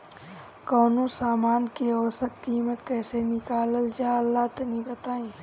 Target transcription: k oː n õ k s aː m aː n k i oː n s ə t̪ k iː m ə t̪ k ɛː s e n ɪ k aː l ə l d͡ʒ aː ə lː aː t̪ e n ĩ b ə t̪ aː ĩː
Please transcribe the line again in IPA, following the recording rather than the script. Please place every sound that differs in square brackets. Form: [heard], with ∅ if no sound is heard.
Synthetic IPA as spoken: k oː n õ [∅] s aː m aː n k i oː [∅] s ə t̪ k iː m ə t̪ k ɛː s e n ɪ k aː l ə l d͡ʒ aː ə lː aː t̪ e n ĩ b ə t̪ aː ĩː